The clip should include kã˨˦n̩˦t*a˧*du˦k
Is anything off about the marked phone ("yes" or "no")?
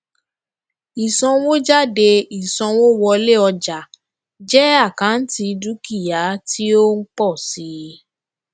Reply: yes